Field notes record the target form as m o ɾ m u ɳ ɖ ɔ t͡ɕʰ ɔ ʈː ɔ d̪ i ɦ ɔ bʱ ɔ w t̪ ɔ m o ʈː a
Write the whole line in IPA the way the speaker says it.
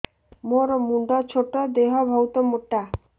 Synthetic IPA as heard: m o ɾ m u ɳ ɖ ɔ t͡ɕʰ o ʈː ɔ d̪ e ɦ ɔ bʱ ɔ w t̪ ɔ m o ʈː a